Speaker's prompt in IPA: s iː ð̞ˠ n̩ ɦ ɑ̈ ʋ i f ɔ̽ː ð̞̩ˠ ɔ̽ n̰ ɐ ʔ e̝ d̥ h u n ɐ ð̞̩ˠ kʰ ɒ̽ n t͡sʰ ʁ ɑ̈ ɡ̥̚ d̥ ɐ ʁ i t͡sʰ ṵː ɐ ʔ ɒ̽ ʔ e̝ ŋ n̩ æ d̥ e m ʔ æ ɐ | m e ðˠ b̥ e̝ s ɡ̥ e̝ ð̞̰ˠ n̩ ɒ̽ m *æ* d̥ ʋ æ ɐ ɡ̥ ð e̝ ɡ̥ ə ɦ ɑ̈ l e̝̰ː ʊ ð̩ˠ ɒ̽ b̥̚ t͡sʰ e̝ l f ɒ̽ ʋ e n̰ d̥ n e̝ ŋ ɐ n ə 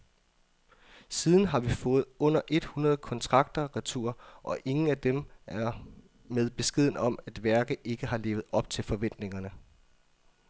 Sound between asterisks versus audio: correct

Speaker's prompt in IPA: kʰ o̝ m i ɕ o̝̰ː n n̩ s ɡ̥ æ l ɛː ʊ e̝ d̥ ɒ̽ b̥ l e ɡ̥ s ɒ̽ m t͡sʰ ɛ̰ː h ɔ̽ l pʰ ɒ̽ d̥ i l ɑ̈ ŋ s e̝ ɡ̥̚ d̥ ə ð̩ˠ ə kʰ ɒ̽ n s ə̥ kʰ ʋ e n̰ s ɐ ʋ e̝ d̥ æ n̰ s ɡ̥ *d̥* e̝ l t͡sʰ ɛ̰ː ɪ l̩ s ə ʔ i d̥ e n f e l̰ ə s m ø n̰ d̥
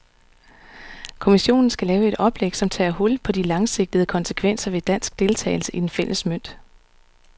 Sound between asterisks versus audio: correct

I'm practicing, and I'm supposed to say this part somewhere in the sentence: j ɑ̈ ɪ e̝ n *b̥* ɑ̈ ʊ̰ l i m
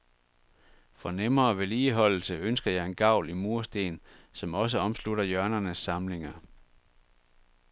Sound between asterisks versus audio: incorrect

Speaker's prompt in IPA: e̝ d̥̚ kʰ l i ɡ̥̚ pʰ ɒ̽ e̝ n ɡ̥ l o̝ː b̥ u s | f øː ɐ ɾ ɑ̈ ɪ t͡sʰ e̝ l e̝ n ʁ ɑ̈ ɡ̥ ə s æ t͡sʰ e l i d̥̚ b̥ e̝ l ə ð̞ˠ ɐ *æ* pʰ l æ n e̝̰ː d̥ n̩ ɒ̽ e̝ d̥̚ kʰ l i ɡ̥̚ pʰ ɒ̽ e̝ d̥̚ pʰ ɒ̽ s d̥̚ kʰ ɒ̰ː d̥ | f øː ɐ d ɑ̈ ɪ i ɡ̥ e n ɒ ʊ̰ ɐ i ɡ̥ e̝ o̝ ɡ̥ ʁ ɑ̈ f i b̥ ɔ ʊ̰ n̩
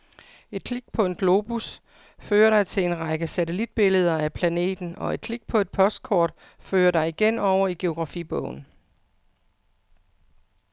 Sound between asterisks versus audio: correct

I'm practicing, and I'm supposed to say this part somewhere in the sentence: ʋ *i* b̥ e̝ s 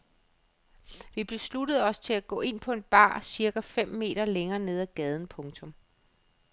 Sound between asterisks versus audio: correct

